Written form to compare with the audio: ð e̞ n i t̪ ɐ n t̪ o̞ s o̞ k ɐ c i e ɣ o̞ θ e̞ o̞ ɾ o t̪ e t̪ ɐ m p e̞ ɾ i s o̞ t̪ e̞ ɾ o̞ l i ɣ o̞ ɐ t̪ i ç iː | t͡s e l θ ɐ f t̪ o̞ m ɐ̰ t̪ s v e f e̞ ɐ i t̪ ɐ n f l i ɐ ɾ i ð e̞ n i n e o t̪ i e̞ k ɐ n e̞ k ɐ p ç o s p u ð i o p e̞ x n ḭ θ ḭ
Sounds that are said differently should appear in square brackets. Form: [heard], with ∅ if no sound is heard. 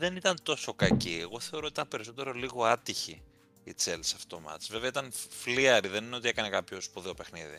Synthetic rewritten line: ð e̞ n i t̪ ɐ n t̪ o̞ s o̞ k ɐ c i e ɣ o̞ θ e̞ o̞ ɾ o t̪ [i] t̪ ɐ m p e̞ ɾ i s o̞ t̪ e̞ ɾ o̞ l i ɣ o̞ ɐ t̪ i ç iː | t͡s e l [s] ɐ f t̪ o̞ m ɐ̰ t̪ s v e [v] e̞ ɐ i t̪ ɐ n f l i ɐ ɾ i ð e̞ n i n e o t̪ i e̞ k ɐ n e̞ k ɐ p ç o s p u ð i o p e̞ x n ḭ [ð] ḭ